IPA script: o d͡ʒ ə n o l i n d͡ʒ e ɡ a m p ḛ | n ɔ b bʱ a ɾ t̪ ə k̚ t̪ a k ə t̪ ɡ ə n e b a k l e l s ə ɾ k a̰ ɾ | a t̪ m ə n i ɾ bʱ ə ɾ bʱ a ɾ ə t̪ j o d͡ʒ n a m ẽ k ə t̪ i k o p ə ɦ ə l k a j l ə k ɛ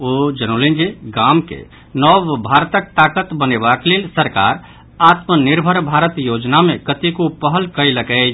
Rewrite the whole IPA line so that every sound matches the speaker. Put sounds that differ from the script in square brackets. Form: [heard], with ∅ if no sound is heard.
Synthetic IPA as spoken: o d͡ʒ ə n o l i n d͡ʒ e ɡ a m [k] ḛ | n ɔ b bʱ a ɾ t̪ ə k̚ t̪ a k ə t̪ [b] ə n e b a k l e l s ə ɾ k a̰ ɾ | a t̪ m ə n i ɾ bʱ ə ɾ bʱ a ɾ ə t̪ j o d͡ʒ n a m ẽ k ə t̪ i k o p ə ɦ ə l k [ə] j l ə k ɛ